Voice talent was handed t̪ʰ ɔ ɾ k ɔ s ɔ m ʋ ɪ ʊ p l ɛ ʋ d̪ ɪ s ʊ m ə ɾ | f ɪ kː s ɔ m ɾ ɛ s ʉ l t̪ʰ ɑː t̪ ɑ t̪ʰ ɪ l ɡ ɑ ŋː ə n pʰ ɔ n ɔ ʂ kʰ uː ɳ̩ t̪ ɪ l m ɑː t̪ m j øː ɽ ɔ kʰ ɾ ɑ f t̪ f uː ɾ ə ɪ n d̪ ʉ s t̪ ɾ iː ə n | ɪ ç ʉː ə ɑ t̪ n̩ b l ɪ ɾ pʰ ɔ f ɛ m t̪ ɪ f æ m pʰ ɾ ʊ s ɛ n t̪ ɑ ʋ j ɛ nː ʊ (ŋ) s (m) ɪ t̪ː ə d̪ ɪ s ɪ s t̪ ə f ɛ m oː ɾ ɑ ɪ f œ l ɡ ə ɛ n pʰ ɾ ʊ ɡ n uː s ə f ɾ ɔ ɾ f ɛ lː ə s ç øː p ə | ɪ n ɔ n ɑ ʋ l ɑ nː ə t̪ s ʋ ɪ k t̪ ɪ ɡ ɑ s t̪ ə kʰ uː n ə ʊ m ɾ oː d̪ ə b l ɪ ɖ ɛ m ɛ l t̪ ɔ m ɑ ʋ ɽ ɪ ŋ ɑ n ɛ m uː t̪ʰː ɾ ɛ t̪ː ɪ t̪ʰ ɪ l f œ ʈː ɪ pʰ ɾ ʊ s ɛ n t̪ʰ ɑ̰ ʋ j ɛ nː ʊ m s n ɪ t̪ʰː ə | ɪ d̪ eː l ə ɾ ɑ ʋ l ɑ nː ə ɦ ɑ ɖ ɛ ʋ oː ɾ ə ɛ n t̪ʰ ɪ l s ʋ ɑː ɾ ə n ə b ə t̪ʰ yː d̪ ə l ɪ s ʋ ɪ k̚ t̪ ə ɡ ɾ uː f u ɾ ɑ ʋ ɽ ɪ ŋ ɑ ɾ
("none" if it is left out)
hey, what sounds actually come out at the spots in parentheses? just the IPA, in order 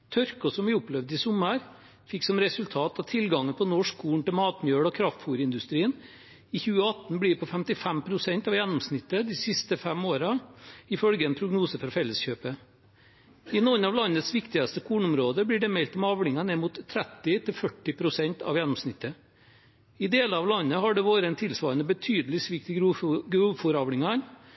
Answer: m, n

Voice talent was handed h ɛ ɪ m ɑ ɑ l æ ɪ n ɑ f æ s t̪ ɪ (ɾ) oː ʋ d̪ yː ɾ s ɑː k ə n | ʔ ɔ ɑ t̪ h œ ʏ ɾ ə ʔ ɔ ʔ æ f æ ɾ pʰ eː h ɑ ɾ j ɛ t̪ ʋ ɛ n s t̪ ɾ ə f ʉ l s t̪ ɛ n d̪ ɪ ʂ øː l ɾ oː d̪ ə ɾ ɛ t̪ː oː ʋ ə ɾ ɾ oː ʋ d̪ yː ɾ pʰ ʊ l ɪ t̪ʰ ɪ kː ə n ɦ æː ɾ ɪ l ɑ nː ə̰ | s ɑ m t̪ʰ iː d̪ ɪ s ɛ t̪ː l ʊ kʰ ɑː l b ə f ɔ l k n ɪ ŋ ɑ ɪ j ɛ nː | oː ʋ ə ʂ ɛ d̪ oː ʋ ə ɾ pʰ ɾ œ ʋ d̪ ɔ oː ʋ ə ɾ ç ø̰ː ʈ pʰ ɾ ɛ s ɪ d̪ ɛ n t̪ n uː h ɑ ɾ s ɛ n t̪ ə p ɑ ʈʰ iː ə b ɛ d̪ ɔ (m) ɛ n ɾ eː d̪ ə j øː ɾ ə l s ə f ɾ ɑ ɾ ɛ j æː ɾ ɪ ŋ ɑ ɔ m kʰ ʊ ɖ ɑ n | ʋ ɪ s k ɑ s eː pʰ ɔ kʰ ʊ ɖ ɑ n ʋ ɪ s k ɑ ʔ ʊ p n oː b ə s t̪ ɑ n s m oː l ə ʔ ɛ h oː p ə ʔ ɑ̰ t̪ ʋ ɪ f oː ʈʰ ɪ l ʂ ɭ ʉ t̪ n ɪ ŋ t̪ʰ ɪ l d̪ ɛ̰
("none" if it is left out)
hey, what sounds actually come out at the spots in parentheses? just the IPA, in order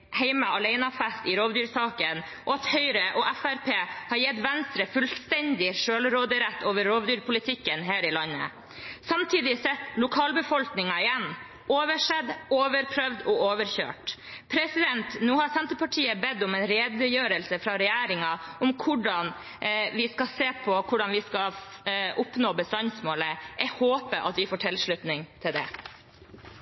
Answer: ɾ, m

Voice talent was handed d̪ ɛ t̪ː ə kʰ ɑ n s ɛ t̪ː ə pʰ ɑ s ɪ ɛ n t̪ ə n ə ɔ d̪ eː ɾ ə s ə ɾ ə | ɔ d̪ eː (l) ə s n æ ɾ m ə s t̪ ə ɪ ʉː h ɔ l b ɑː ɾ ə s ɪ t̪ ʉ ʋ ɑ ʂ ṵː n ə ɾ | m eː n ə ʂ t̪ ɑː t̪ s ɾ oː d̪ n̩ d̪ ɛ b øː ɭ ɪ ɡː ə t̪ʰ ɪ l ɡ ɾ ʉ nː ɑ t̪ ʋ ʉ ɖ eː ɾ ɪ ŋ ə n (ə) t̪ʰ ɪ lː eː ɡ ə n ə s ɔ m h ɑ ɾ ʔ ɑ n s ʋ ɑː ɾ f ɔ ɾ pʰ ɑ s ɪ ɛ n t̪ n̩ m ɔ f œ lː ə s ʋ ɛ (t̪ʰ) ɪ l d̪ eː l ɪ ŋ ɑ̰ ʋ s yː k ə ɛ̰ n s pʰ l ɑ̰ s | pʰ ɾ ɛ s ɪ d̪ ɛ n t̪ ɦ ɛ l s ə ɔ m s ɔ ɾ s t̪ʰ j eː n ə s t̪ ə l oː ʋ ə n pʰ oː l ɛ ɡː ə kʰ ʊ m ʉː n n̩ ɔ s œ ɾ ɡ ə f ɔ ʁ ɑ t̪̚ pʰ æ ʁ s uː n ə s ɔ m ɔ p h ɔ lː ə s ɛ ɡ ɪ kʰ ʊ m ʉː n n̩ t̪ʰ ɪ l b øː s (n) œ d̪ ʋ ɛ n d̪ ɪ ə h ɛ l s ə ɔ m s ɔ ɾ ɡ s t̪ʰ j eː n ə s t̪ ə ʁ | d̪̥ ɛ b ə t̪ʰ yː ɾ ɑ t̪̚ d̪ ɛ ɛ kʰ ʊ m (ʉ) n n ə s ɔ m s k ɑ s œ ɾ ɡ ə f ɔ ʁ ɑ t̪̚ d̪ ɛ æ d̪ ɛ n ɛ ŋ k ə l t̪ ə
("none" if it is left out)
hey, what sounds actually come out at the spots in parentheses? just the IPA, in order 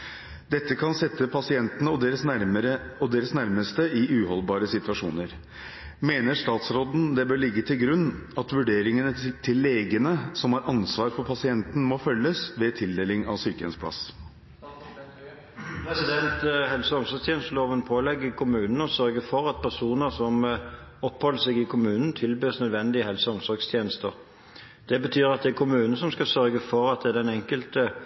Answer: ɾ, ə, t̪ʰ, n, ʉː

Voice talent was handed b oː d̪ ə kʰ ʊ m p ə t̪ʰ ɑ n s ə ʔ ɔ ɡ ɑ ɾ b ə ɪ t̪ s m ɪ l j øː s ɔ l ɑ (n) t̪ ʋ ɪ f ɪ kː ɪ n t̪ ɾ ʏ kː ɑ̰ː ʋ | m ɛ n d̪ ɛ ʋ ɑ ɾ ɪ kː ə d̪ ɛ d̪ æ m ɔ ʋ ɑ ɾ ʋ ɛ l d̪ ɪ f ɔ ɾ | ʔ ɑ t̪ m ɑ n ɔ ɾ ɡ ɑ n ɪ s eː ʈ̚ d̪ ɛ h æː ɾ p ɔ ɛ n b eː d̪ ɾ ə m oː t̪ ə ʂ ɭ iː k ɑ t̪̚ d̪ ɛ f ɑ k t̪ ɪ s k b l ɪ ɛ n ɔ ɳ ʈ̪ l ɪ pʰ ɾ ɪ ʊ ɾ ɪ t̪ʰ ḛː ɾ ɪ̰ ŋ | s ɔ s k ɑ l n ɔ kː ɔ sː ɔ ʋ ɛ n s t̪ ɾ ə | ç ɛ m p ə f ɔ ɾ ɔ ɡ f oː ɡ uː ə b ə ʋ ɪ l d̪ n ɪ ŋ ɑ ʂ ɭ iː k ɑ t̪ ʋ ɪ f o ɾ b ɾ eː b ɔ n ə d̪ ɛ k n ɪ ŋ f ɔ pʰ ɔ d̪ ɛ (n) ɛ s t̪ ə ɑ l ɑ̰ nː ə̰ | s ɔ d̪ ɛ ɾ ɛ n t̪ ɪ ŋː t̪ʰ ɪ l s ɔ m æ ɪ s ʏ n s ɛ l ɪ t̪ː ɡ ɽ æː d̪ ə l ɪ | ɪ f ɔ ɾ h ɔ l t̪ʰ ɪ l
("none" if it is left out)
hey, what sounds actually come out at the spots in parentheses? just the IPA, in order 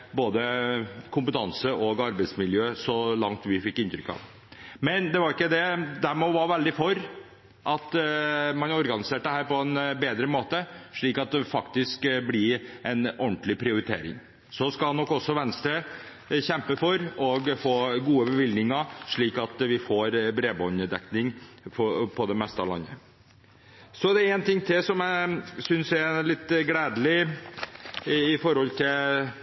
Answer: ŋ, m

